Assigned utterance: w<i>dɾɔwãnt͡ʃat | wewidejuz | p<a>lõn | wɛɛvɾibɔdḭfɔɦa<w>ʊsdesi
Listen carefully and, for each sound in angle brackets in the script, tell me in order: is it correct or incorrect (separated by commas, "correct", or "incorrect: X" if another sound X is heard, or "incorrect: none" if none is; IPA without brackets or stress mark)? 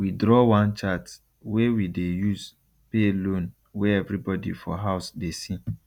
correct, incorrect: e, incorrect: none